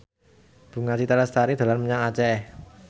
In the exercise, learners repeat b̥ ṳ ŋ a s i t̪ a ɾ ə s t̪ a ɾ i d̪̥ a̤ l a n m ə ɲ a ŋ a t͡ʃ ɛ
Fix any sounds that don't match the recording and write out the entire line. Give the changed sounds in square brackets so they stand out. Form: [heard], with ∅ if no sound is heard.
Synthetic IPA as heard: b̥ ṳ ŋ a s i t̪ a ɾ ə s t̪ a ɾ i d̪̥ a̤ l a n m ə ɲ a ŋ a t͡ʃ ɛ